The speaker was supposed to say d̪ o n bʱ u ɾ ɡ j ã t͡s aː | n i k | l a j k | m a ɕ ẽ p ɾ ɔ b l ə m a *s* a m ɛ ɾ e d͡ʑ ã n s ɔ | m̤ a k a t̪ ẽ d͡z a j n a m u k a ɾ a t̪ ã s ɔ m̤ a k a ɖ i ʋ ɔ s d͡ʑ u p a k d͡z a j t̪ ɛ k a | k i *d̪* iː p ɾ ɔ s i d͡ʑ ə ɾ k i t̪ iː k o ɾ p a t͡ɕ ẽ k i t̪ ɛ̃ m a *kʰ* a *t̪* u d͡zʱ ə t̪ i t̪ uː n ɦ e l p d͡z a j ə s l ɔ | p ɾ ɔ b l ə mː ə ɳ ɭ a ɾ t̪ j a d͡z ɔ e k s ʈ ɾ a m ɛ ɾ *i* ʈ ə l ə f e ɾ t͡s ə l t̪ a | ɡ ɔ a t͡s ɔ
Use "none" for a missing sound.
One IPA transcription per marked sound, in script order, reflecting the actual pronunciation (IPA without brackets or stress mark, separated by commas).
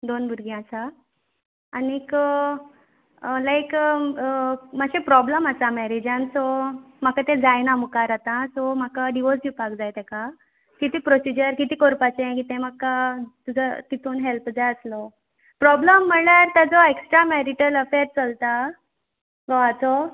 s, t̪, k, t̪, i